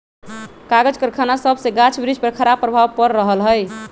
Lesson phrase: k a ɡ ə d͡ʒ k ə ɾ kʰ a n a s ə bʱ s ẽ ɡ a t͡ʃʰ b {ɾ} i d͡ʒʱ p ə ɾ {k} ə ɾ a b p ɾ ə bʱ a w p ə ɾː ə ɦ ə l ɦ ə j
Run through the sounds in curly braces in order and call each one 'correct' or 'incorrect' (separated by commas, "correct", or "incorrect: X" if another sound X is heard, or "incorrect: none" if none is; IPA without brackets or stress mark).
correct, incorrect: kʰ